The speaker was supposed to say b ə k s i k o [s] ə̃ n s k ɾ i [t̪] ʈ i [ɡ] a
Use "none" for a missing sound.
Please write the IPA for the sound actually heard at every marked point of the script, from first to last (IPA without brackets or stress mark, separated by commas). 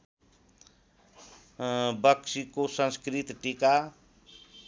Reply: s, t̪, k